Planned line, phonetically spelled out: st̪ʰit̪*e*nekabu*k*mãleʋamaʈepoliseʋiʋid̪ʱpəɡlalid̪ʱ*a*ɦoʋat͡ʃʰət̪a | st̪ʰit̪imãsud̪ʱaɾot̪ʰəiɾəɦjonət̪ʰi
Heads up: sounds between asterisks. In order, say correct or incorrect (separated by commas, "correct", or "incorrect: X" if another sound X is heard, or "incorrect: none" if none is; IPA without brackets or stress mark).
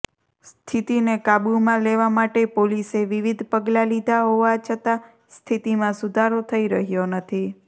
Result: incorrect: i, incorrect: none, correct